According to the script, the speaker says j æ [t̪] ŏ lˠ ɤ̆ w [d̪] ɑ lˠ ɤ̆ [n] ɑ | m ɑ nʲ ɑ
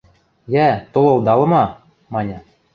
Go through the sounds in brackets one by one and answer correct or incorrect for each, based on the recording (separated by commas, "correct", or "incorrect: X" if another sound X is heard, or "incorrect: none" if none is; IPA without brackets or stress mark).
correct, correct, incorrect: m